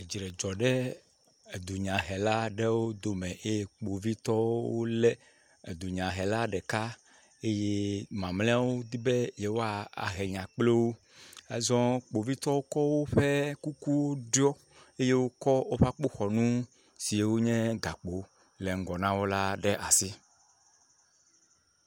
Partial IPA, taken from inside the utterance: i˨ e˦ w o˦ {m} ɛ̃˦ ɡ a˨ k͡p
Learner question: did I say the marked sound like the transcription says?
no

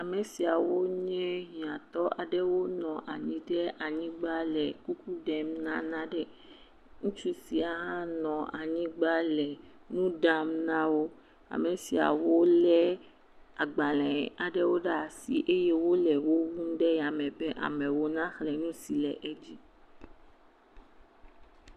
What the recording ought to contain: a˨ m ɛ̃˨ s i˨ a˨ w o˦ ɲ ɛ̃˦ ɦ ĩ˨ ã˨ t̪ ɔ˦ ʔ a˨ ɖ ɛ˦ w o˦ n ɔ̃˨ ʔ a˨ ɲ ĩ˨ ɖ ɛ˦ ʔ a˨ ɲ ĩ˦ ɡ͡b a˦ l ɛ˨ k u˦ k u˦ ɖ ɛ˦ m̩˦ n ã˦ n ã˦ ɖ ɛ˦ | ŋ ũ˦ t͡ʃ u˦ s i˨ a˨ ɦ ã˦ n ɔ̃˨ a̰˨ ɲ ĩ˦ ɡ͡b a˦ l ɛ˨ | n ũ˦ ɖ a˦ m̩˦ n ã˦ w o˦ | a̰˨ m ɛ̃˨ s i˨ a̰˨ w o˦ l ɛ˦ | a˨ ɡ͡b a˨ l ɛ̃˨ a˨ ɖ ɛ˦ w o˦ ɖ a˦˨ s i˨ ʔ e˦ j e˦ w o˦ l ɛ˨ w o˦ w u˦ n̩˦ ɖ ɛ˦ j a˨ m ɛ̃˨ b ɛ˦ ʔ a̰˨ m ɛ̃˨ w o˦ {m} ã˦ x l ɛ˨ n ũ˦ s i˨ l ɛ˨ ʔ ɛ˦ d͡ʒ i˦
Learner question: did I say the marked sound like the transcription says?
no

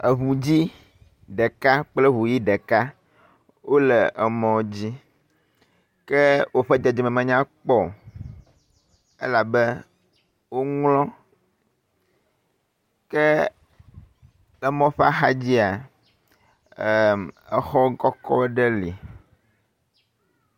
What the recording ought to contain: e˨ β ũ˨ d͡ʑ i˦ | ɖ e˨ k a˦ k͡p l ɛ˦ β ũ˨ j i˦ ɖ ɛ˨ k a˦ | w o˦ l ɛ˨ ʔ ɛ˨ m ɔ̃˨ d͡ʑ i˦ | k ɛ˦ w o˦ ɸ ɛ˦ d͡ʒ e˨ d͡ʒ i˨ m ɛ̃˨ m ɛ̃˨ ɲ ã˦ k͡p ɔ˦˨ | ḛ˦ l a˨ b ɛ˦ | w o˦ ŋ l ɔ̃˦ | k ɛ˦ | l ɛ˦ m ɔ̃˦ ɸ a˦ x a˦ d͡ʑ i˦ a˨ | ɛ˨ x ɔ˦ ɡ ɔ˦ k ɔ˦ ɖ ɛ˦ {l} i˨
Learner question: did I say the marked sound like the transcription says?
yes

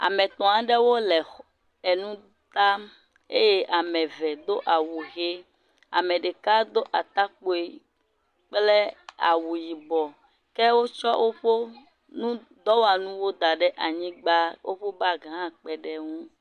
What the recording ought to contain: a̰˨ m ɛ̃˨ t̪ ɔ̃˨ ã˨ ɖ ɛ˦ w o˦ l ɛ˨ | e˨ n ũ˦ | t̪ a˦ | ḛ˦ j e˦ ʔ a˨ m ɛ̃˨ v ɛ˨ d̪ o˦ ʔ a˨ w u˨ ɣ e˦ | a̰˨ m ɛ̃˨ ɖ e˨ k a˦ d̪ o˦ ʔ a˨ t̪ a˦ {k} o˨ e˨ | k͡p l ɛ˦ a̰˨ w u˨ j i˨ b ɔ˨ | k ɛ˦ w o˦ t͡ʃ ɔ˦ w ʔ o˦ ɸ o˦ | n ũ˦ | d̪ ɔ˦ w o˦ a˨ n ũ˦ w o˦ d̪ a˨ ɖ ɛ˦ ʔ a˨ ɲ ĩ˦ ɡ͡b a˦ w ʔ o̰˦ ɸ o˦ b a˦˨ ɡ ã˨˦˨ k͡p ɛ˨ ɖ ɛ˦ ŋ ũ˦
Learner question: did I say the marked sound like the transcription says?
no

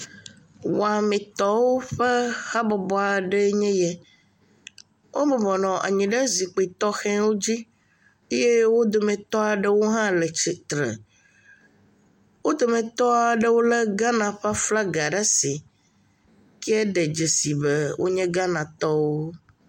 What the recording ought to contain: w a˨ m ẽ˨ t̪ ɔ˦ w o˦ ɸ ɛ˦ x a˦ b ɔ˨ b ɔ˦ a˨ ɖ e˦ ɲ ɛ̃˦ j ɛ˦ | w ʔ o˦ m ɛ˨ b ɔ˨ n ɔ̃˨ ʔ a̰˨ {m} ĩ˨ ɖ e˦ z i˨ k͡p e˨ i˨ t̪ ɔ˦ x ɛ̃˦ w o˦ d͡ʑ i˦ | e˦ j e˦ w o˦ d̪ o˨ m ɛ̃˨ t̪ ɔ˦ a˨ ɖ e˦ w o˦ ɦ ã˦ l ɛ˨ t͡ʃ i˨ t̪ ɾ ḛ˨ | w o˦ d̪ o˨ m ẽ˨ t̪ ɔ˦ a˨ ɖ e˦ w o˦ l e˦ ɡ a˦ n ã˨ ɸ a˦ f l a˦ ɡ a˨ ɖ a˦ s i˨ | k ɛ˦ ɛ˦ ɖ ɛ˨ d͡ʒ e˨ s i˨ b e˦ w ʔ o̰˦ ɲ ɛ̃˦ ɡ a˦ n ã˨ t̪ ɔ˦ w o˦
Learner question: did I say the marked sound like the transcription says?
no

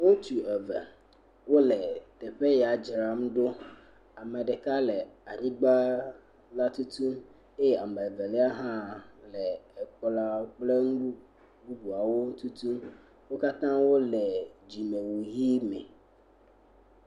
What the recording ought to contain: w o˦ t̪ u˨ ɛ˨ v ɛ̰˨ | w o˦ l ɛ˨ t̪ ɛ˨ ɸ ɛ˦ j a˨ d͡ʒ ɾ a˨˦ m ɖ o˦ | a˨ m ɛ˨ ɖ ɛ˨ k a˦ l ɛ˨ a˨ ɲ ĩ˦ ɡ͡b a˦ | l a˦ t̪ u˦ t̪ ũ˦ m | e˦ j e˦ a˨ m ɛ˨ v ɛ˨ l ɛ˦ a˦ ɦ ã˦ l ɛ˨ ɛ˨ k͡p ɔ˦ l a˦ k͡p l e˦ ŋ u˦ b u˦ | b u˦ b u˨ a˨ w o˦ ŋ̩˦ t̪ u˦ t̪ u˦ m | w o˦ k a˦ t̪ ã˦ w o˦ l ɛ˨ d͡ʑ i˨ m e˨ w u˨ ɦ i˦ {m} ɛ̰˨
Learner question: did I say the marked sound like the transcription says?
yes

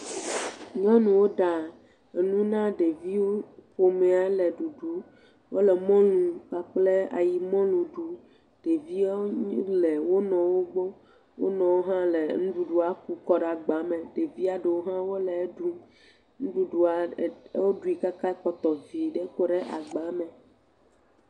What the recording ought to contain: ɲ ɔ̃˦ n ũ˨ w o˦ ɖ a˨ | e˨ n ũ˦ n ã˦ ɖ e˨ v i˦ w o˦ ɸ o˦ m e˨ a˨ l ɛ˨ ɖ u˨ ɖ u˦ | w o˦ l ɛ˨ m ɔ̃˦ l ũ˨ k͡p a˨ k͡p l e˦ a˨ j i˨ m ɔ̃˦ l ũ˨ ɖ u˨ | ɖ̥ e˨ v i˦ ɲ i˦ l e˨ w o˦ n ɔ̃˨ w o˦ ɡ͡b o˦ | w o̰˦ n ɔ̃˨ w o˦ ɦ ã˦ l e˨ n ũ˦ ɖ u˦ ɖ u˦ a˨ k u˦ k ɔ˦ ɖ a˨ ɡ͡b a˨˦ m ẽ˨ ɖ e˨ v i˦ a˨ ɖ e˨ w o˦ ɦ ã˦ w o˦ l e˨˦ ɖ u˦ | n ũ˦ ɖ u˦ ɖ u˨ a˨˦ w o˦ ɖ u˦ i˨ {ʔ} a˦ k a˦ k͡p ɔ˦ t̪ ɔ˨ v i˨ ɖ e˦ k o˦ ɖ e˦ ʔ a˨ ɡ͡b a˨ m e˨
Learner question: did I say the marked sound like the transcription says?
no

